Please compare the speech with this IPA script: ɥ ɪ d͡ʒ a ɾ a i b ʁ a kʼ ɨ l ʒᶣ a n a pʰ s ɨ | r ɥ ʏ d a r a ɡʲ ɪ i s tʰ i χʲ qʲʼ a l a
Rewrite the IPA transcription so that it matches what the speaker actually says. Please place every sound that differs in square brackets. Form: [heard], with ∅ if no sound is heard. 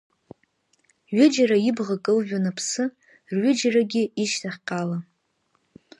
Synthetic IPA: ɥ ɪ d͡ʒ a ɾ a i b ʁ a kʼ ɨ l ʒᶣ a n a pʰ s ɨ | r ɥ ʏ [d͡ʒ] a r a ɡʲ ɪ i [ʃ] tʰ [a] χʲ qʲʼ a l a